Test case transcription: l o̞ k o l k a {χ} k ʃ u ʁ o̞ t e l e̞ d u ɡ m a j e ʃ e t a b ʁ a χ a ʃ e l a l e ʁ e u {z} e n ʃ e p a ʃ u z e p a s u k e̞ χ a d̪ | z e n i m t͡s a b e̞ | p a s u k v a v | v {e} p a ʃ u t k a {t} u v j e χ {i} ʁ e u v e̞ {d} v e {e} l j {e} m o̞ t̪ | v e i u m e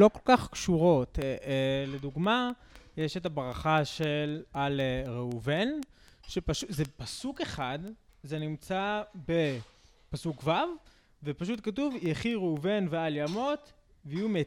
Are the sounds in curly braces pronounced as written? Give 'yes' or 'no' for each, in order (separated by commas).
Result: yes, no, yes, yes, yes, no, no, no